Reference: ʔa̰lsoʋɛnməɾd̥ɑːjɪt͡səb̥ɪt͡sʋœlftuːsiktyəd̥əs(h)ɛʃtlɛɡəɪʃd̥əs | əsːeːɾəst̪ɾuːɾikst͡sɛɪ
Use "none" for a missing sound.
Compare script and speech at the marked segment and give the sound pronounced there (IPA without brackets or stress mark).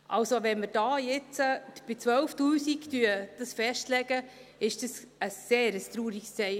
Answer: f